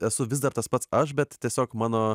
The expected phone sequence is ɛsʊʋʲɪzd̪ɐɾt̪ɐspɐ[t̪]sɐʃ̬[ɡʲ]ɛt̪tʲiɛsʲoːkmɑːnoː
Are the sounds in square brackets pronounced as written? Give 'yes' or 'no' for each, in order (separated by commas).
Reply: yes, no